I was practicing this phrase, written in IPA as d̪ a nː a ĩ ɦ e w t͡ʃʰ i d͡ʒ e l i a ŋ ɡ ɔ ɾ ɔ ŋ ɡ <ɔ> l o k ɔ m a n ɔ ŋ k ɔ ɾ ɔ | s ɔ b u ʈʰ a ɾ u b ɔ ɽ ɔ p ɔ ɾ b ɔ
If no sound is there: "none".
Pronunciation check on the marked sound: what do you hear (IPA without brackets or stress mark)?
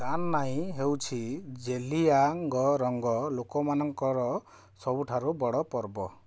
ɔ